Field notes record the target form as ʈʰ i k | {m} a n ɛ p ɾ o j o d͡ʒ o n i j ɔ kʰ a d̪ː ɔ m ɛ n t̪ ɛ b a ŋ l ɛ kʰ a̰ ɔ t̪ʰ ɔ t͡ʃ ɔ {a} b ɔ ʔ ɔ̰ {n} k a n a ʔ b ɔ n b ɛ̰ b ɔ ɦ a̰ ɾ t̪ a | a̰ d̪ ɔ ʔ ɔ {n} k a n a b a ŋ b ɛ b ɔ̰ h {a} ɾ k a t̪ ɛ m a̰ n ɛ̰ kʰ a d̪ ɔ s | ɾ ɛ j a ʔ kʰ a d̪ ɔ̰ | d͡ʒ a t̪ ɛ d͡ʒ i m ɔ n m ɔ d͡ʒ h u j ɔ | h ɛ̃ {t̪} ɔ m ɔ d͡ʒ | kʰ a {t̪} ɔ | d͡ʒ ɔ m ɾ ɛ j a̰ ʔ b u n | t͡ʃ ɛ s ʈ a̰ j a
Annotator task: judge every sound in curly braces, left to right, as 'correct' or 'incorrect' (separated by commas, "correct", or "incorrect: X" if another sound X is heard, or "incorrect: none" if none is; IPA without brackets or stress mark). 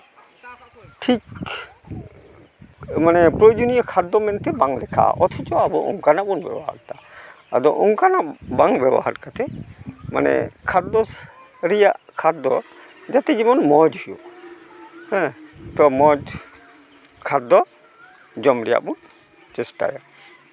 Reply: correct, correct, incorrect: ŋ, incorrect: ŋ, correct, correct, incorrect: d̪